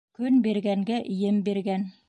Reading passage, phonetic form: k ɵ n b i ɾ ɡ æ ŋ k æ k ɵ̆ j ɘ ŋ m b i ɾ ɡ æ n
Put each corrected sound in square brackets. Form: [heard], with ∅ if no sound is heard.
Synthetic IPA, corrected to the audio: k ɵ n b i ɾ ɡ æ ŋ [ɡ] æ [ʔ] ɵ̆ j ɘ [∅] m b i ɾ ɡ æ n